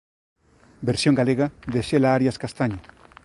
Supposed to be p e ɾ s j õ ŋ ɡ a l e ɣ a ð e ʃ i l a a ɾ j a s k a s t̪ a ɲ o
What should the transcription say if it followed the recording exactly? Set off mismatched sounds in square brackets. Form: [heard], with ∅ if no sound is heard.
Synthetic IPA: [b] e ɾ s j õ ŋ ɡ a l e ɣ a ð e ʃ [e] l a a ɾ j a s k a s t̪ a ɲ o